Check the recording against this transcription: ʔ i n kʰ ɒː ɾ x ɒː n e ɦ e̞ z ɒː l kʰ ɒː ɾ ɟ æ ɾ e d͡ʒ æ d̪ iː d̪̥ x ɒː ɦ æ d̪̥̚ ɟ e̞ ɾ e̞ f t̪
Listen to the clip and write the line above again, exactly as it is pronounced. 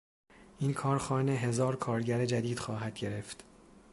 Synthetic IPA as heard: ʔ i n kʰ ɒː ɾ x ɒː n e ɦ e̞ z ɒː ɾ kʰ ɒː ɾ ɟ æ ɾ e d͡ʒ æ d̪ iː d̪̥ x ɒː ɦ æ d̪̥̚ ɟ e̞ ɾ e̞ f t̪